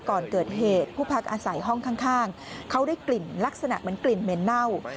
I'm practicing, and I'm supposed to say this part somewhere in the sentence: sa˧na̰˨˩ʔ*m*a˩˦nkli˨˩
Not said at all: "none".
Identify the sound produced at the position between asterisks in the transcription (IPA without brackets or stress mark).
m